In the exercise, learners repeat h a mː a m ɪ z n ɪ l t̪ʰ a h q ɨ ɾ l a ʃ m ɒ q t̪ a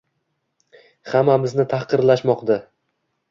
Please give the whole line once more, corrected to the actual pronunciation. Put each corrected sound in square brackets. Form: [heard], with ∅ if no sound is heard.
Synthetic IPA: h a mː a m ɪ z n ɪ [∅] t̪ʰ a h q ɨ ɾ l a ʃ m ɒ q [d̪] a

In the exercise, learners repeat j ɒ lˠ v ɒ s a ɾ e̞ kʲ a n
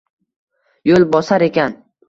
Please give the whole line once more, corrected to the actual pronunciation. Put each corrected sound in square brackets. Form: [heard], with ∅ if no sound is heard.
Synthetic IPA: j [o] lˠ [b] ɒ s a ɾ e̞ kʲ a n

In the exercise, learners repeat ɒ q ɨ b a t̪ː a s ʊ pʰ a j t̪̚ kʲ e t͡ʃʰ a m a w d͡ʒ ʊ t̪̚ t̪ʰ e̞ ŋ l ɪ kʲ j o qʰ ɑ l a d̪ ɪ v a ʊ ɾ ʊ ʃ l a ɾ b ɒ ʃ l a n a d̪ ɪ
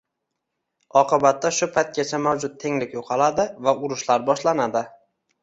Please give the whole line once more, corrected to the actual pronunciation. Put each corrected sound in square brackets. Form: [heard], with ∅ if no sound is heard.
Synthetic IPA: ɒ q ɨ b a t̪ː a [ʃ] ʊ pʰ a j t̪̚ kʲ [a] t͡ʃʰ a m a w d͡ʒ ʊ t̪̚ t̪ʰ e̞ ŋ l ɪ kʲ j o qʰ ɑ l a d̪ ɪ v a ʊ ɾ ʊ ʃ l a ɾ b ɒ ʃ l a n a d̪ ɪ

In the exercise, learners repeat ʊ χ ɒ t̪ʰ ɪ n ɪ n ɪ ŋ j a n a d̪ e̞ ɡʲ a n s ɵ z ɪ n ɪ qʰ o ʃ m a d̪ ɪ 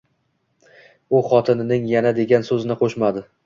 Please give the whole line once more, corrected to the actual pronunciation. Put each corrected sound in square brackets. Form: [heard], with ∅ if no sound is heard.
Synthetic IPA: ʊ χ ɒ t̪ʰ ɪ n ɪ n ɪ ŋ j a n a d̪ e̞ ɡʲ a n s ɵ z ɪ n ɪ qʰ o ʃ m a d̪ ɪ

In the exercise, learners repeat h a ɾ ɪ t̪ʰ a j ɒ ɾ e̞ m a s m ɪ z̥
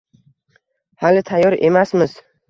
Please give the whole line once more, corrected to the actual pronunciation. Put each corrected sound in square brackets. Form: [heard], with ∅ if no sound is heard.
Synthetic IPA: h a [l] ɪ t̪ʰ a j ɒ ɾ e̞ m a s m ɪ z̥

